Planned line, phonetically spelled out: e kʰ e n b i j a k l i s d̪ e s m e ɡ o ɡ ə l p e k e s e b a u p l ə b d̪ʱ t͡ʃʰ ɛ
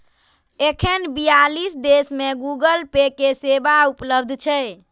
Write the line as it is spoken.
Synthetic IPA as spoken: e kʰ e n b i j a l i s d̪ e s m e ɡ u ɡ ə l p e k e s e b a u p l ə b d̪ʱ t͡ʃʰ ɛ